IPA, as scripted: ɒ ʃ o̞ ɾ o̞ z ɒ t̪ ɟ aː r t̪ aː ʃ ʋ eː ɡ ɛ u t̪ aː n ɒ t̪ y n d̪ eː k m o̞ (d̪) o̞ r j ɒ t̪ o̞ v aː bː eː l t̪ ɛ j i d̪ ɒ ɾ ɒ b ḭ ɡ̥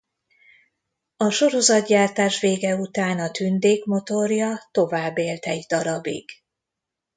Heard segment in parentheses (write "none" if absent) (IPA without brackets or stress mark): t̪